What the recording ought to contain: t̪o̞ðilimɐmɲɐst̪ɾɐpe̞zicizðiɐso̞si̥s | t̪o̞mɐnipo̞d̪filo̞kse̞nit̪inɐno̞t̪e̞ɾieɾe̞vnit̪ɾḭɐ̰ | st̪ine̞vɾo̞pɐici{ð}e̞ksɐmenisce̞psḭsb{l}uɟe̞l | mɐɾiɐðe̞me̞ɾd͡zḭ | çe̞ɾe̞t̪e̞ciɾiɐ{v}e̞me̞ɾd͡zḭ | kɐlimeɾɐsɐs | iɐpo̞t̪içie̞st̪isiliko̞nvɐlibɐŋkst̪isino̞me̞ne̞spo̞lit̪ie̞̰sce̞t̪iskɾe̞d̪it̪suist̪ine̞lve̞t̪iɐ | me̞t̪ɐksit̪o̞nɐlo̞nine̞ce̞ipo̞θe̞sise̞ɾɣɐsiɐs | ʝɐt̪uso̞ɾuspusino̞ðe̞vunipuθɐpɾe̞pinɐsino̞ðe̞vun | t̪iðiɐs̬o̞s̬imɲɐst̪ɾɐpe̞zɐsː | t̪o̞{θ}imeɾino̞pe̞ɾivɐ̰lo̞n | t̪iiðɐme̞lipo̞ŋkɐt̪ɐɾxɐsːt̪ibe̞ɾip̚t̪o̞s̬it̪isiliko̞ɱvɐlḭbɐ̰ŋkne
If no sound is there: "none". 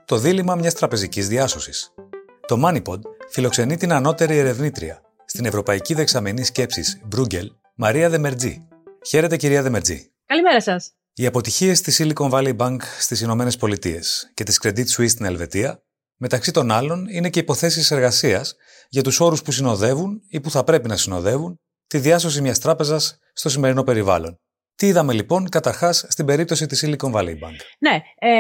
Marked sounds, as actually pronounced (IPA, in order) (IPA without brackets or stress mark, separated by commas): ð, ɾ, ð, s